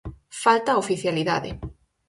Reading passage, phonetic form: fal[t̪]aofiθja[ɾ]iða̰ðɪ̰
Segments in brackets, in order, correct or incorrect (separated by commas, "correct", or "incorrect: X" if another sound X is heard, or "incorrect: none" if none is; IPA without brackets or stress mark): correct, incorrect: l